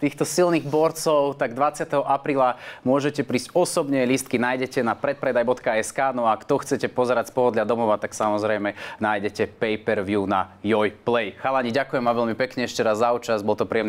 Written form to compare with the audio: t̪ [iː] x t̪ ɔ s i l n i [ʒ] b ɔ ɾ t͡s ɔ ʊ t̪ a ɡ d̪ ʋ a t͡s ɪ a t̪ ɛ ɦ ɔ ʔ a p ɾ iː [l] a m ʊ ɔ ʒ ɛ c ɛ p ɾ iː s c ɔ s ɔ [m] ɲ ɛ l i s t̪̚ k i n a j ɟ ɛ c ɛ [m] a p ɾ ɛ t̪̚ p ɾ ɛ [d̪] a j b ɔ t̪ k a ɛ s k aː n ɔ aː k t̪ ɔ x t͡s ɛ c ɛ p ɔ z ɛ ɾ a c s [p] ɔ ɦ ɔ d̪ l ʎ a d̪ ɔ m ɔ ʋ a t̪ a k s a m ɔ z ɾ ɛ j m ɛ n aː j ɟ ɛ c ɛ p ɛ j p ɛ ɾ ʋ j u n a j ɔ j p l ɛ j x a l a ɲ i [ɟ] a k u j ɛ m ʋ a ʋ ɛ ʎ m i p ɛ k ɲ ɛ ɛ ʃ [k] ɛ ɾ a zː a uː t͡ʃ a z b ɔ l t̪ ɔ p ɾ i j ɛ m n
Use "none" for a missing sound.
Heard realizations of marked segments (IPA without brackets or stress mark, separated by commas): iː, ɣ, l, b, n, d̪, p, ɟ, c